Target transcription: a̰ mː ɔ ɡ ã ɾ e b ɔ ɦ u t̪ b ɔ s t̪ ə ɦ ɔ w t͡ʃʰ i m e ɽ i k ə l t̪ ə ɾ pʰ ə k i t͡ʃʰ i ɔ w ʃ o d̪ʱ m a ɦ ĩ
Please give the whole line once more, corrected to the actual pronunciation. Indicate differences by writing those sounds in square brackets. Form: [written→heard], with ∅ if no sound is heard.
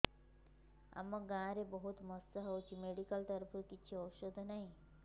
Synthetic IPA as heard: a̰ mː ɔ ɡ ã ɾ e b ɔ ɦ u t̪ [b→m] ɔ s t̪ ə ɦ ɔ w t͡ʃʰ i m e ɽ i k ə l t̪ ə ɾ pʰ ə k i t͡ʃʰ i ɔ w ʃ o d̪ʱ [m→n] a ɦ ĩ

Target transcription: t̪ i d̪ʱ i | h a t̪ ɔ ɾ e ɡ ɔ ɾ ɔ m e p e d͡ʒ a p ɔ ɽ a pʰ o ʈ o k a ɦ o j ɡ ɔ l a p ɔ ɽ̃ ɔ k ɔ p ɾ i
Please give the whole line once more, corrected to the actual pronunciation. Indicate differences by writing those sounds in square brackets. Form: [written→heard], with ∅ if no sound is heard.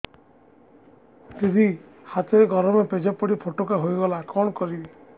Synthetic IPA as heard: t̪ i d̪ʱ i | h a t̪ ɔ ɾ e ɡ ɔ ɾ ɔ m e p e d͡ʒ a p ɔ ɽ [a→i] pʰ o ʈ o k a ɦ o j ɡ ɔ l a [p→k] ɔ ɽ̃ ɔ k ɔ [p→∅] ɾ i

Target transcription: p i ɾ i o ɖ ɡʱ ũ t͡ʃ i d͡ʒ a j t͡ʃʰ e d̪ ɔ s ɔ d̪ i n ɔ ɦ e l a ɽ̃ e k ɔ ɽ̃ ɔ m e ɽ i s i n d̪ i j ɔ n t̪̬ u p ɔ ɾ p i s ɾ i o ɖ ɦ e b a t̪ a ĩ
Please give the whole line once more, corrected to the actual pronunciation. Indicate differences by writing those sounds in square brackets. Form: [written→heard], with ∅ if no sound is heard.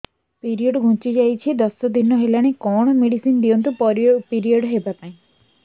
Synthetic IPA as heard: p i ɾ i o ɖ ɡʱ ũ t͡ʃ i d͡ʒ a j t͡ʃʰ [e→i] d̪ ɔ s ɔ d̪ i n ɔ ɦ e l a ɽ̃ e k ɔ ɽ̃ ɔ m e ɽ i s i n d̪ i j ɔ n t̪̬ u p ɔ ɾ p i [s→∅] ɾ i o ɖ ɦ e b a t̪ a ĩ

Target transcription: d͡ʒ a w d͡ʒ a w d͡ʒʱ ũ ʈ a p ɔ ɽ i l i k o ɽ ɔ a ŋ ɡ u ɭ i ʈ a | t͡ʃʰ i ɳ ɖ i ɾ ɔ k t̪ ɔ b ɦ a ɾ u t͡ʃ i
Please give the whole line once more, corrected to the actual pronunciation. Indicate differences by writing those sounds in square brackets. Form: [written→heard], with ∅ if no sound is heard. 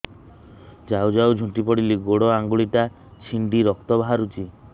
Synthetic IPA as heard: d͡ʒ a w d͡ʒ a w d͡ʒʱ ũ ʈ [a→i] p ɔ ɽ i l i [k→ɡ] o ɽ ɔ a ŋ ɡ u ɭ i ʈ a | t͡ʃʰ i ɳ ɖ i ɾ ɔ k t̪ ɔ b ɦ a ɾ u t͡ʃ i

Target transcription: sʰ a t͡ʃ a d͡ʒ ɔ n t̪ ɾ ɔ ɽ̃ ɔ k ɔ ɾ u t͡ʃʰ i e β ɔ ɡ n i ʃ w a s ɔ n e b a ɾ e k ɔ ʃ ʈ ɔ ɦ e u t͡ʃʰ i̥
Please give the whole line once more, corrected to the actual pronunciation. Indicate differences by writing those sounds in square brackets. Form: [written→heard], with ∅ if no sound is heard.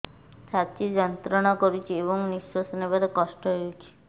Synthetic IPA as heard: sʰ a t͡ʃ [a→i] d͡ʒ ɔ n t̪ ɾ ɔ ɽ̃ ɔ k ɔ ɾ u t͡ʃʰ i e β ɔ [ɡ→ŋ] n i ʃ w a s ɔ n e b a ɾ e k ɔ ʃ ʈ ɔ ɦ e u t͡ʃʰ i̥

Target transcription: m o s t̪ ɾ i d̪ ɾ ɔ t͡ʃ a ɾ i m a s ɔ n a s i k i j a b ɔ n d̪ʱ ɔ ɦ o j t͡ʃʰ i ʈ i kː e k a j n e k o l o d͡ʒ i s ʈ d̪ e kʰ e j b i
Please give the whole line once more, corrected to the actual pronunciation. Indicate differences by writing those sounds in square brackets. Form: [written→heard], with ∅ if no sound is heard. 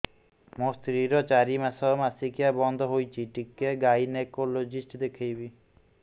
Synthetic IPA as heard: m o s t̪ ɾ i [d̪→∅] ɾ ɔ t͡ʃ a ɾ i m a s ɔ [n→m] a s i k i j a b ɔ n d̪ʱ ɔ ɦ o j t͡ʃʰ i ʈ i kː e [k→ɡ] a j n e k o l o d͡ʒ i s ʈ d̪ e kʰ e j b i

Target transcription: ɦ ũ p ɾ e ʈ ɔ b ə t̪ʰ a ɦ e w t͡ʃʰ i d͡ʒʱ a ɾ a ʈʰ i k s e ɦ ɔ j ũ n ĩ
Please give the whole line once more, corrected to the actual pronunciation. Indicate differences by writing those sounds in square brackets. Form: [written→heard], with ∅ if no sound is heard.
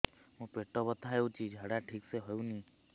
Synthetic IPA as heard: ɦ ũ p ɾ e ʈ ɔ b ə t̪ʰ a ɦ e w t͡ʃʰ i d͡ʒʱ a [ɾ→ɽ] a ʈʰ i k s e ɦ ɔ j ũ n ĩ

